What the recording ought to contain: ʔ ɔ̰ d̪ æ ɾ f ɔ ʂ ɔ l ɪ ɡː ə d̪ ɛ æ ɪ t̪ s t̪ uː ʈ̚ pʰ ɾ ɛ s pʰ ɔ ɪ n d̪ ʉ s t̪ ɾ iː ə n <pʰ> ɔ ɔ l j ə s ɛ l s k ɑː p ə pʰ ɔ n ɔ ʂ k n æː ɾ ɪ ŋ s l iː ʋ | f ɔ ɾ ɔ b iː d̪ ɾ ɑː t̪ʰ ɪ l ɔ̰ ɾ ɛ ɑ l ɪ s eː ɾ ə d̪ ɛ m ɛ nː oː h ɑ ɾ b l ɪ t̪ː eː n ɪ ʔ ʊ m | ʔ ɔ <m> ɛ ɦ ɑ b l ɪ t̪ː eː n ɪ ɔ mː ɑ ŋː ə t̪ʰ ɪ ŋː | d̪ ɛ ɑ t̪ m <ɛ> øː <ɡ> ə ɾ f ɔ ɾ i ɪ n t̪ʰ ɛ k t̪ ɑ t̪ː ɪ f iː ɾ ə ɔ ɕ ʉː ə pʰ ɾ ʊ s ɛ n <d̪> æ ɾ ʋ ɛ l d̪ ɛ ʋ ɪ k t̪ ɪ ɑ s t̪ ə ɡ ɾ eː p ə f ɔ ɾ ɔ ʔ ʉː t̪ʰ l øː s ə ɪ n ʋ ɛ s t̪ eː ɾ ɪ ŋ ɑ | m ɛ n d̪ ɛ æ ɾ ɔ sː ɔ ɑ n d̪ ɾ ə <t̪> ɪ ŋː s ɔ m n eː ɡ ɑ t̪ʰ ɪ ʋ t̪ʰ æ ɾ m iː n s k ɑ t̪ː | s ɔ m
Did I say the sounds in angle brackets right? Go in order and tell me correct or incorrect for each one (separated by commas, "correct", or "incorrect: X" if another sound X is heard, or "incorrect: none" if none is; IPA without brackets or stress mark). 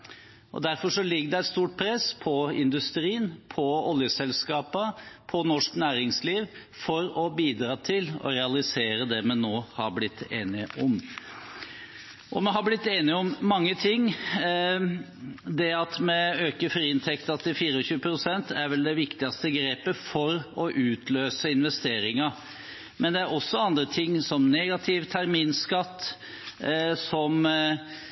correct, correct, correct, incorrect: k, incorrect: t̪, incorrect: t̪ʰ